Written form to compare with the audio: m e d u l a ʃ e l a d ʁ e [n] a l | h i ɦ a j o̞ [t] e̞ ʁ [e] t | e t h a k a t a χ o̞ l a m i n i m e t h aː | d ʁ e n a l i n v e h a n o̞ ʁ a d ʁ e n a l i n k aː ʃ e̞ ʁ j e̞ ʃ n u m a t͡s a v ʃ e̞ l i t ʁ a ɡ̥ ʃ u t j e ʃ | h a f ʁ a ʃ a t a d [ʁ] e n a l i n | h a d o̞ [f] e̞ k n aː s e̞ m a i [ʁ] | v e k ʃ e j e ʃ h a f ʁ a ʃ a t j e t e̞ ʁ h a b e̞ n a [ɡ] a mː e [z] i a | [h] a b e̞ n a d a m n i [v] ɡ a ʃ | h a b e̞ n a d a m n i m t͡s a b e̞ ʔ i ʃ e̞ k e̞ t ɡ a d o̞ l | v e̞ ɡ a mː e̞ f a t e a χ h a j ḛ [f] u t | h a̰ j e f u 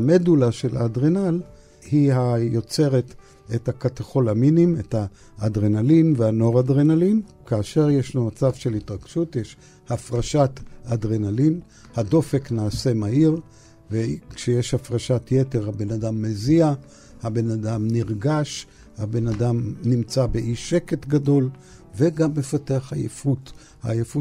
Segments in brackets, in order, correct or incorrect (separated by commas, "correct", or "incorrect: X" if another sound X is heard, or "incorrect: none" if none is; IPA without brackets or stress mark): correct, incorrect: t͡s, correct, correct, correct, correct, incorrect: d, correct, correct, incorrect: ʁ, correct